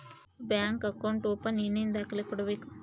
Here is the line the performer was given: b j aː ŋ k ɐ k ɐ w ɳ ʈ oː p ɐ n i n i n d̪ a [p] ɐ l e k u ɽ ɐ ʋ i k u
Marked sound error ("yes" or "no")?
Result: yes